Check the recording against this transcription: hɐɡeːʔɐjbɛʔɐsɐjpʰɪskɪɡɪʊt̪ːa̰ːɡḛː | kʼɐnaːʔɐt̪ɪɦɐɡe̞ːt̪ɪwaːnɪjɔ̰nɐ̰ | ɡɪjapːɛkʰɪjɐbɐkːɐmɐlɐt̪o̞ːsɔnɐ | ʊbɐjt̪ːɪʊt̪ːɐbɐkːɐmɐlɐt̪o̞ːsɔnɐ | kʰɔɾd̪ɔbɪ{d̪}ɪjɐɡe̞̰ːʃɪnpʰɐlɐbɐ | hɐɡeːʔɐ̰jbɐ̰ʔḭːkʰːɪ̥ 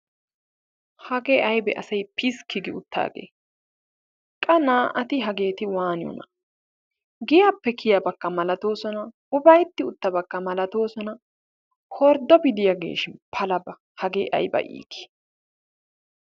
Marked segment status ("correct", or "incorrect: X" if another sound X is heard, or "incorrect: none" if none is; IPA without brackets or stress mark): correct